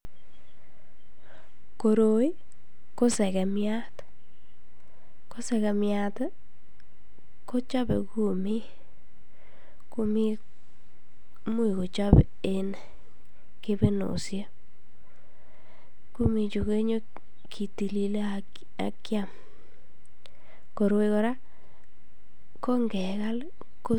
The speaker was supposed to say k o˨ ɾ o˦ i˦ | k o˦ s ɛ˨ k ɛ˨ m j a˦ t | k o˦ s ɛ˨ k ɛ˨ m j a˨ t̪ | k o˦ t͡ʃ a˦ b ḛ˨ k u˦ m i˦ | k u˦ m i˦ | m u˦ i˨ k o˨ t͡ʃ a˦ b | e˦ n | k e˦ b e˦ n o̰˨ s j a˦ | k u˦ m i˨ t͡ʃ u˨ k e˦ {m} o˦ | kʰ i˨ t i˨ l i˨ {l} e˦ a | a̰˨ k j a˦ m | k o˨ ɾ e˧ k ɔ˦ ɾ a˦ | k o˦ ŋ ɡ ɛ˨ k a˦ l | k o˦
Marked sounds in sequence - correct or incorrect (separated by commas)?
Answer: incorrect, correct